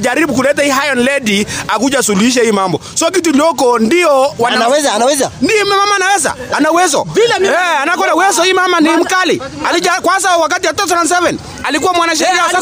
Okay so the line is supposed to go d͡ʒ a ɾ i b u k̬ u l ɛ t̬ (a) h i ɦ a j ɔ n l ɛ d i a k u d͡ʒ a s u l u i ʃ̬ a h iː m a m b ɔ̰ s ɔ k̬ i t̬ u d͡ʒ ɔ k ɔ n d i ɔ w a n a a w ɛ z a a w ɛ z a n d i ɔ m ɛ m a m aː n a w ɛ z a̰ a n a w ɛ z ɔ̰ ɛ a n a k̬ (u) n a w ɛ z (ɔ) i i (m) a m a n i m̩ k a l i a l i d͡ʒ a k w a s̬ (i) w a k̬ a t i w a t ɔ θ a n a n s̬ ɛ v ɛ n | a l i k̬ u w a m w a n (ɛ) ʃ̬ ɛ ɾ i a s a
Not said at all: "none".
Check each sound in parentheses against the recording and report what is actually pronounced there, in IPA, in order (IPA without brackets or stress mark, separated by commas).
a, ɔ, ɔ, m, a, a